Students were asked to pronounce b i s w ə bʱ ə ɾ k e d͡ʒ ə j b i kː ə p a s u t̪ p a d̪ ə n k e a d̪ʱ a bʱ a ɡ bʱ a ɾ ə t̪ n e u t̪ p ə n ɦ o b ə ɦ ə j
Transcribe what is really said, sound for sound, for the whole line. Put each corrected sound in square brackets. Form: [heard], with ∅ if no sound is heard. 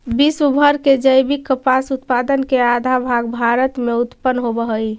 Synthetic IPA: b i s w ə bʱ ə ɾ k e d͡ʒ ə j b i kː ə p a s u t̪ p a d̪ ə n k e a d̪ʱ a bʱ a ɡ bʱ a ɾ ə t̪ [m] e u t̪ p ə n ɦ o b ə ɦ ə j